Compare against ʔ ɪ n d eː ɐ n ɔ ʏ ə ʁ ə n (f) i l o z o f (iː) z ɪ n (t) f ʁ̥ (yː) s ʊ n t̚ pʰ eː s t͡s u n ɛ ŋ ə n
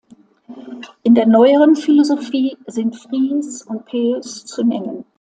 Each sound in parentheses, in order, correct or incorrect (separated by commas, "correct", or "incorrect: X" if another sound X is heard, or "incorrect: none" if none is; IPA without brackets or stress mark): correct, correct, correct, incorrect: iː